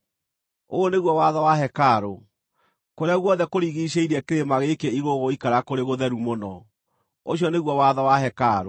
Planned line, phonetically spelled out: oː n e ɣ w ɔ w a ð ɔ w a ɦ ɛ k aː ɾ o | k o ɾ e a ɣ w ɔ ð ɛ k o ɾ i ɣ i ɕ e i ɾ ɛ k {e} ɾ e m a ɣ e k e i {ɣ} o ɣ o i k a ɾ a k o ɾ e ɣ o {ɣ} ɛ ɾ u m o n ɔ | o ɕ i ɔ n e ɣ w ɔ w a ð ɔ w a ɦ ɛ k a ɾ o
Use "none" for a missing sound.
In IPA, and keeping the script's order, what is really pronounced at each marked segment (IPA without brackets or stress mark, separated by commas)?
e, ɣ, ð